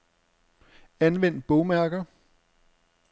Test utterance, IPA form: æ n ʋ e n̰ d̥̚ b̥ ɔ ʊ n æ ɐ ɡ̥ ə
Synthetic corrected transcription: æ n ʋ e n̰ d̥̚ b̥ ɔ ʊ m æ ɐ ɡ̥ ɐ

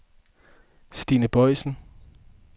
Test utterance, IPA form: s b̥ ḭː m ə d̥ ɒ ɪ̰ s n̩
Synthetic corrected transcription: s d̥ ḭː n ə b̥ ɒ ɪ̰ s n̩

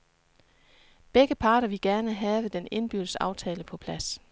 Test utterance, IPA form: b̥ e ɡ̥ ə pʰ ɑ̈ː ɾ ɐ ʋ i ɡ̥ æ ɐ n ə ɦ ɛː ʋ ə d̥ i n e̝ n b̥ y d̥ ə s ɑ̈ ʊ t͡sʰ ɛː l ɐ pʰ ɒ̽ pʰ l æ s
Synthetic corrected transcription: b̥ e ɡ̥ ə pʰ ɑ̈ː ɾ ɐ ʋ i ɡ̥ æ ɐ n ə ɦ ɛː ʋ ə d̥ e n e̝ n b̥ y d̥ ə s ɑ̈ ʊ t͡sʰ ɛː l ə pʰ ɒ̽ pʰ l æ s

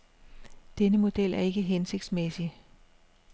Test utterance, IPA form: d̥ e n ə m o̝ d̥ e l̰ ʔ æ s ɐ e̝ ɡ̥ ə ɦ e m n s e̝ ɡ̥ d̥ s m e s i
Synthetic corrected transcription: d̥ e n ə m o̝ d̥ e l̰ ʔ æ ɐ e̝ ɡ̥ ə ɦ e n s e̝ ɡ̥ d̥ s m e s i

